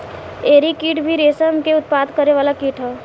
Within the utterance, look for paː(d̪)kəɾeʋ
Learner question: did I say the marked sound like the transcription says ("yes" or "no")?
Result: yes